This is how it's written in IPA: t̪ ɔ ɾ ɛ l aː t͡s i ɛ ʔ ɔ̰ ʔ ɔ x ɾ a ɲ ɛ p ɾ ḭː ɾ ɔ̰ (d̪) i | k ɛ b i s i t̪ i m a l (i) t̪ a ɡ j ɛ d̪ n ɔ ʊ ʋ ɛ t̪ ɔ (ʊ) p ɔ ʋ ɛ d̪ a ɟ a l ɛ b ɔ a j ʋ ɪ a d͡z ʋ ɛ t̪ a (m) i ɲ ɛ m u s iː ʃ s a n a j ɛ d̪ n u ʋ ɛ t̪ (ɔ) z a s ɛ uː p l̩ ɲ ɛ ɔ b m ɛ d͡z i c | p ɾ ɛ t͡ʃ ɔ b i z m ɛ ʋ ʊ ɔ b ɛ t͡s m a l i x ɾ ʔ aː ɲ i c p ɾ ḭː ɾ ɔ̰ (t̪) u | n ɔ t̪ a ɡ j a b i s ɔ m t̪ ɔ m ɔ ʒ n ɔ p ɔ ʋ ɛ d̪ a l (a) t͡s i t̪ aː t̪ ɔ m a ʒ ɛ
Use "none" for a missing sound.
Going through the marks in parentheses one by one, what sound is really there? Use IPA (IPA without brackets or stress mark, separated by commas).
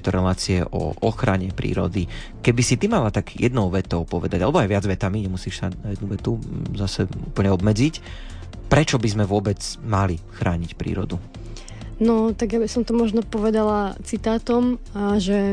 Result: d̪, a, ʊ, m, u, d̪, a